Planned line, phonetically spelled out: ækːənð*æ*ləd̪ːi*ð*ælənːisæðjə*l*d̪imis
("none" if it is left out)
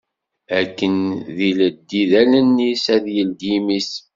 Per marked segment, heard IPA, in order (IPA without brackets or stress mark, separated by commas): i, ð, l